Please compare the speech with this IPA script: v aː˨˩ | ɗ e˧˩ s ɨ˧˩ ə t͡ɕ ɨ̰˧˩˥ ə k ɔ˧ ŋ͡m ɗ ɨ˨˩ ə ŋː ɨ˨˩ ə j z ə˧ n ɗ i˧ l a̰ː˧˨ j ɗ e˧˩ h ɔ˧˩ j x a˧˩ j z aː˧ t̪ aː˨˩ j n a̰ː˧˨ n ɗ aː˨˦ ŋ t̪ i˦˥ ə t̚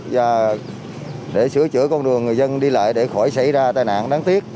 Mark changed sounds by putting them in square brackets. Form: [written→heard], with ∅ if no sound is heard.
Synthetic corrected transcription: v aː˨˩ | ɗ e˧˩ s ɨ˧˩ ə t͡ɕ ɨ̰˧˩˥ ə k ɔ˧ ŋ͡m ɗ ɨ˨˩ ə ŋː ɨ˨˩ ə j z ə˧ n ɗ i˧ l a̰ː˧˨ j ɗ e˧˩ [h→x] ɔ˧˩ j [x→s] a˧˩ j z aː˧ t̪ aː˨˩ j n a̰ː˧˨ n ɗ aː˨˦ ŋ t̪ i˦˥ ə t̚